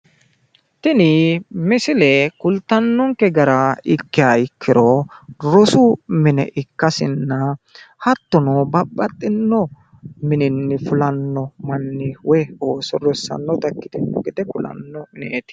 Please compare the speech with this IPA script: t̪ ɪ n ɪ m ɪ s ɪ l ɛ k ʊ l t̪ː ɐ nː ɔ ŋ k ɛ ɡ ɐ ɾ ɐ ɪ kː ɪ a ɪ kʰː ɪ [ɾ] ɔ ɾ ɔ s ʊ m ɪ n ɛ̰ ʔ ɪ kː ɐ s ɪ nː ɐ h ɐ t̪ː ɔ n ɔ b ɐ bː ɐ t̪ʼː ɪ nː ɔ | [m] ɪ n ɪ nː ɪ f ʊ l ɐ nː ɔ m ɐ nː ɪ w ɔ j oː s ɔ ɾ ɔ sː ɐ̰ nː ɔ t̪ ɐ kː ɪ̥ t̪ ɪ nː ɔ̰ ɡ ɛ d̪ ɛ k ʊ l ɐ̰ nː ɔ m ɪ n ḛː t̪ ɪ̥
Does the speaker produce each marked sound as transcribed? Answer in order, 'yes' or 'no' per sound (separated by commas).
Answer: yes, yes